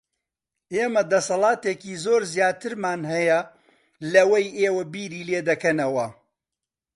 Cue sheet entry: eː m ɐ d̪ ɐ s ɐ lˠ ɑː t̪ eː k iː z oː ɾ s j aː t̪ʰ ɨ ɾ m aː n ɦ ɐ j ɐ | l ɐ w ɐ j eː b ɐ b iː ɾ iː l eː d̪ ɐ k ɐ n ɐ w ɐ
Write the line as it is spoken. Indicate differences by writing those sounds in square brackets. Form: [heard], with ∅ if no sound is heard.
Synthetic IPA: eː m ɐ d̪ ɐ s ɐ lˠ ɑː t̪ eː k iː z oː ɾ [z] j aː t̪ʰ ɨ ɾ m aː n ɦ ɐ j ɐ | l ɐ w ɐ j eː [w] ɐ b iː ɾ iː l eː d̪ ɐ k ɐ n ɐ w ɐ